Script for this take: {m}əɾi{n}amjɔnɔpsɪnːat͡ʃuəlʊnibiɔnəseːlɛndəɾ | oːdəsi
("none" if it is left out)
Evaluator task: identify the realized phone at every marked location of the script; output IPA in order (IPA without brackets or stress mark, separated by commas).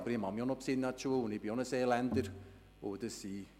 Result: b, m